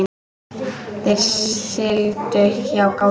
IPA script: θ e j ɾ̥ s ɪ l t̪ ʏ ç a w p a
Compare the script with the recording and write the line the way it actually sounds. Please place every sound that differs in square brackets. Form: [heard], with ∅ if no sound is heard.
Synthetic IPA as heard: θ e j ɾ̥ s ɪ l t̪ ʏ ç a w [k] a